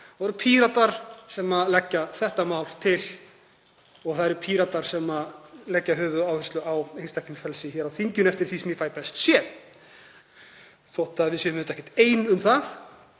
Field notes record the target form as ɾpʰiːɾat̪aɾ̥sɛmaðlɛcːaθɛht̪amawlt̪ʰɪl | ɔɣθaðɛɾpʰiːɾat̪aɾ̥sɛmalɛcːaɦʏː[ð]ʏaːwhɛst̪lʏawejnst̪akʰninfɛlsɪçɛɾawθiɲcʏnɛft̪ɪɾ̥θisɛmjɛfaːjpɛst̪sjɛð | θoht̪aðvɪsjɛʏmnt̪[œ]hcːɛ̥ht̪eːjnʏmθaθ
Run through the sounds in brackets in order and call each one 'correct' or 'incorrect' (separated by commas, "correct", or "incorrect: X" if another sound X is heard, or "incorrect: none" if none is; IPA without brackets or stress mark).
incorrect: v, incorrect: ɛ